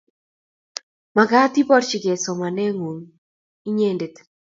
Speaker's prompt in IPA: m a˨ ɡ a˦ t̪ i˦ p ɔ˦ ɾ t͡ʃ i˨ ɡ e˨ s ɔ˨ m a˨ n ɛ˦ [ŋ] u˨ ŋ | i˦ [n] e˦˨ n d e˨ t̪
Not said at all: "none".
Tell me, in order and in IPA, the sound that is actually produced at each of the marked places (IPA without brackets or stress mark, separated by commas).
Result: ŋ, ɲ